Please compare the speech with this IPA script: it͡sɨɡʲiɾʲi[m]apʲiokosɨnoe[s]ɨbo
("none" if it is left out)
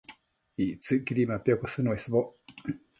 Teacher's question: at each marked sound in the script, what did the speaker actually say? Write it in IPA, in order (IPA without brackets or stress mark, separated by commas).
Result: m, s